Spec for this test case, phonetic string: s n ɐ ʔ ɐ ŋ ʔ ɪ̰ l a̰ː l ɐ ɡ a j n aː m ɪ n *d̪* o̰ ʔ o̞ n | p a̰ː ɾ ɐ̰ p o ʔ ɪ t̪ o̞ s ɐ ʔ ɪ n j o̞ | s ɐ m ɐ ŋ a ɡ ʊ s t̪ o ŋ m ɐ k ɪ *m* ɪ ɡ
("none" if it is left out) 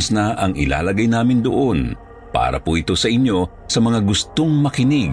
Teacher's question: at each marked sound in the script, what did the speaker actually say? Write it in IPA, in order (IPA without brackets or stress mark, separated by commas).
d̪, n